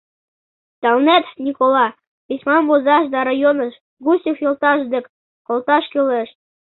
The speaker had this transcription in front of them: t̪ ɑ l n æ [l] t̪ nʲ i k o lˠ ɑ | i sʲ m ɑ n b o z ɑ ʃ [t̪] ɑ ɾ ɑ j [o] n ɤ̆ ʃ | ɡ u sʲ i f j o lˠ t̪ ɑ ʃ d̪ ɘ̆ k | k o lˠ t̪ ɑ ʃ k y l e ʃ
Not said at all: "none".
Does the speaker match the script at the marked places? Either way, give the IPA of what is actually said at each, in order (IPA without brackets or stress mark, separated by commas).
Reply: none, d̪, o